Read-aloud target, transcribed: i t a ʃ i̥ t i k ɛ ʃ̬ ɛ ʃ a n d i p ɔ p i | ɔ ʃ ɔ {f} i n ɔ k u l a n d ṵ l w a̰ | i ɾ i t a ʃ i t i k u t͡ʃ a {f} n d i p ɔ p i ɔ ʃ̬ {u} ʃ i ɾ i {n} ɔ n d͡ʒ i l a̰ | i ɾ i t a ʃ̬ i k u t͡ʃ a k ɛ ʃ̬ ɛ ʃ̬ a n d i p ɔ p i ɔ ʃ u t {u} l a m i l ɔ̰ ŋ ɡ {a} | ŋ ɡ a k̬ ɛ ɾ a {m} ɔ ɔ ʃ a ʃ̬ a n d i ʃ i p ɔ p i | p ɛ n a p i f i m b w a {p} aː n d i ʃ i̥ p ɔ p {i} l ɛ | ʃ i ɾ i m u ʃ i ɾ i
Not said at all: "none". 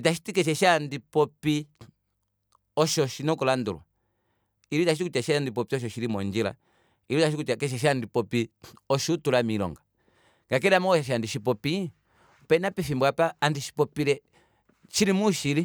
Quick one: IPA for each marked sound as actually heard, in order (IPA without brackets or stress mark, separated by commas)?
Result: ʃ, ʃ, ɔ, m, u, a, m, p, i